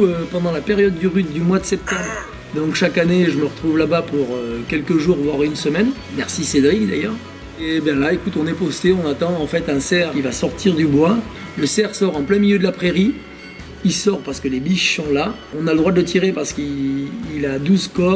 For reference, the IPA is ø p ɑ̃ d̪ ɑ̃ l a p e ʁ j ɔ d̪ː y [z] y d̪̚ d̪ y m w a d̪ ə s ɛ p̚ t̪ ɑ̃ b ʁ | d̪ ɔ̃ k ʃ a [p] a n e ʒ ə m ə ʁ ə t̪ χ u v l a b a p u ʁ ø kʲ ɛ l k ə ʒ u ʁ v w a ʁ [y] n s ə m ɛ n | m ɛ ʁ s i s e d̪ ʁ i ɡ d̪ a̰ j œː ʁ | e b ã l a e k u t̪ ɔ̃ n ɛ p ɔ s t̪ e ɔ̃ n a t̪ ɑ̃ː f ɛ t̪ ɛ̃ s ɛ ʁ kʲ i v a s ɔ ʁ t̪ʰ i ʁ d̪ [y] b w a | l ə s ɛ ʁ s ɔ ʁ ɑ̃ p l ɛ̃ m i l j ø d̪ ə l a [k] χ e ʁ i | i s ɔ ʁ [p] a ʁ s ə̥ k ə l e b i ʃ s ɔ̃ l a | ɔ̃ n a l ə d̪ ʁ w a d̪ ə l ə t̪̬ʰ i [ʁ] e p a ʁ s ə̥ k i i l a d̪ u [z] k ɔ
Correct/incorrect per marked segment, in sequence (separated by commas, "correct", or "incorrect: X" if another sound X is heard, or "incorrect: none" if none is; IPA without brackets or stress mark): incorrect: ʁ, incorrect: k, correct, correct, incorrect: p, correct, correct, correct